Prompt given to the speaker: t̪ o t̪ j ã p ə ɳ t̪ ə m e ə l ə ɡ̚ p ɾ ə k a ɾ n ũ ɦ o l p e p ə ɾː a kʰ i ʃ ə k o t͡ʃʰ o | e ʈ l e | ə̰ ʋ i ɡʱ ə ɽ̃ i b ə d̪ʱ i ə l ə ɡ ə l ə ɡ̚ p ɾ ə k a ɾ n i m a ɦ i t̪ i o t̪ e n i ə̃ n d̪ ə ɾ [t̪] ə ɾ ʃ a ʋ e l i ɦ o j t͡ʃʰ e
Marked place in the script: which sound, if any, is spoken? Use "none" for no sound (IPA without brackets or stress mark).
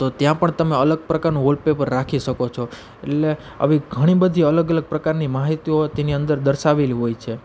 d̪